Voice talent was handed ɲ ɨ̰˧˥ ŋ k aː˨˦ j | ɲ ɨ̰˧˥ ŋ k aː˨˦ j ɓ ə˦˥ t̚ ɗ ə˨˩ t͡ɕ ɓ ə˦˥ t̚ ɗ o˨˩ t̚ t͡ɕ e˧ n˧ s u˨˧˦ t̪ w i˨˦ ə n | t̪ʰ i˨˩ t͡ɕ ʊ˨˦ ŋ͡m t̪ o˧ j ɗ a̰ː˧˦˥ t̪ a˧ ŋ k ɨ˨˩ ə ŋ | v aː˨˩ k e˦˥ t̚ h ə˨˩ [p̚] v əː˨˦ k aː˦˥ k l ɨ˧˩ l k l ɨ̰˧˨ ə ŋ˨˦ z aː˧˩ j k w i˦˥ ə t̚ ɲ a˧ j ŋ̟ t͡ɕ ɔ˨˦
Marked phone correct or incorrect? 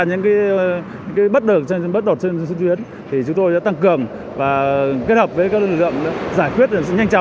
correct